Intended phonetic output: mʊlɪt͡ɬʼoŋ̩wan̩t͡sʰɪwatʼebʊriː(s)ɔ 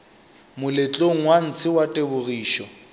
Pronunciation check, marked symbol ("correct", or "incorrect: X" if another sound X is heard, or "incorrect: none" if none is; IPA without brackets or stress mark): incorrect: ʃ